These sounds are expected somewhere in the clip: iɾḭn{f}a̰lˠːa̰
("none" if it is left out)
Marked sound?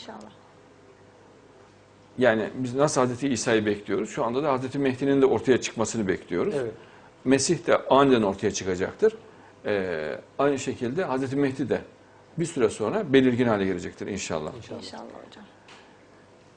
ʃ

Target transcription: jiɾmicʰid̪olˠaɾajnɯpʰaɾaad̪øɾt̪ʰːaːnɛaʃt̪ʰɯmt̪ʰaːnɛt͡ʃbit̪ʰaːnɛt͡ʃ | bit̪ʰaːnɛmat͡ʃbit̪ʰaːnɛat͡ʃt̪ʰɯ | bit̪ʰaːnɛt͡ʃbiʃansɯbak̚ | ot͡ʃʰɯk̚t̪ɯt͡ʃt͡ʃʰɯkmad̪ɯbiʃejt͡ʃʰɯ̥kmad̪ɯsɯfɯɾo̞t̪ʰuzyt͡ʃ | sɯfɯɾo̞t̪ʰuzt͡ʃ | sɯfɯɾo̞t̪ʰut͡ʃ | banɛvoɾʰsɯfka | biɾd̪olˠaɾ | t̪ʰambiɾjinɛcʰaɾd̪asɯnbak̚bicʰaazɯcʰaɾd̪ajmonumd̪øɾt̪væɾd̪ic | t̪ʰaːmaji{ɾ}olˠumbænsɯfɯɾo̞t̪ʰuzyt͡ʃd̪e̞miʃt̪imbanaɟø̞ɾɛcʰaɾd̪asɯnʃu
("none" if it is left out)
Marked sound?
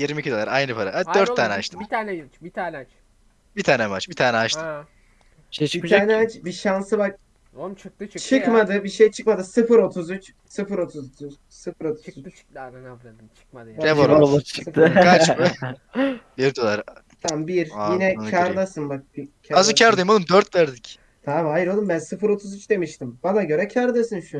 ɾ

